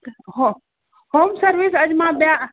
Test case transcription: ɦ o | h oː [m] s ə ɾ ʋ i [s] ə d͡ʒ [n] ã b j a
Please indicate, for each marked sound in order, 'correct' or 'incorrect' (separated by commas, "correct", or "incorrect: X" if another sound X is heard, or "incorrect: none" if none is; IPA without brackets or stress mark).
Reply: correct, correct, incorrect: m